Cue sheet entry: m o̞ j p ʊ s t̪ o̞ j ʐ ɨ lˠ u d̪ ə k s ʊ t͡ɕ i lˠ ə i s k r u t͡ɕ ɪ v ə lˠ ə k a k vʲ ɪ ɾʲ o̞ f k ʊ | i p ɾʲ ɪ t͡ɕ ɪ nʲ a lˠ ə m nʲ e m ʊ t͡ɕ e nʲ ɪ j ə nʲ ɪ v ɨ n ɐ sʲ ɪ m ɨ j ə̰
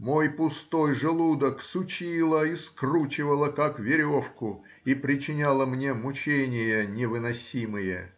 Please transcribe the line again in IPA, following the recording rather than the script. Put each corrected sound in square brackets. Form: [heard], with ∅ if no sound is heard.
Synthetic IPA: m o̞ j p ʊ s t̪ o̞ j ʐ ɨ lˠ u d̪ ə k s ʊ t͡ɕ i lˠ ə i s k r u t͡ɕ ɪ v ə lˠ ə k a k vʲ ɪ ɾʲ o̞ f k ʊ | i p ɾʲ ɪ t͡ɕ ɪ nʲ a lˠ ə m nʲ e m ʊ t͡ɕ e nʲ ɪ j ə nʲ ɪ v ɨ n ɐ sʲ [i] m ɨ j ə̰